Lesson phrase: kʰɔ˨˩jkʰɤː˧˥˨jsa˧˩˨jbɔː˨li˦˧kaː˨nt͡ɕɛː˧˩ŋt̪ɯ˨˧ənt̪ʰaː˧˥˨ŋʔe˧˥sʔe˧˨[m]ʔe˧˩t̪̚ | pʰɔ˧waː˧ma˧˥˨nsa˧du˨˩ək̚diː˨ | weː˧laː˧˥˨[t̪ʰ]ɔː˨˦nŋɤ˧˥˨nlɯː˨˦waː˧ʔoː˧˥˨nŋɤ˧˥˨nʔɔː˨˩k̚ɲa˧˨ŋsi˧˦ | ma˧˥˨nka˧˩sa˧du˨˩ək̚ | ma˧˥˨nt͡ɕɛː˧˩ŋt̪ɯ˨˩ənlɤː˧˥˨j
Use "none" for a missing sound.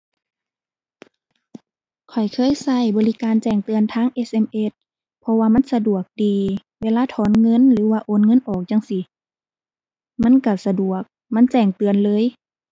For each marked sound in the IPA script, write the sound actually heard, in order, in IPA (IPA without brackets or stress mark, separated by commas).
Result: m, t̪ʰ